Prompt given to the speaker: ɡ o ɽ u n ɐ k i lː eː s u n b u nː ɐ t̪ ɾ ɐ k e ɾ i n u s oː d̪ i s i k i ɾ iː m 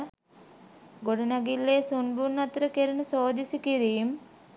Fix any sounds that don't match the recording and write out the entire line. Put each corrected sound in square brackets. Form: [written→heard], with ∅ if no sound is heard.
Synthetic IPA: ɡ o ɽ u n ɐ [k→ɡ] i lː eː s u n b u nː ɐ t̪ ɾ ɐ k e ɾ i n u s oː d̪ i s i k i ɾ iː m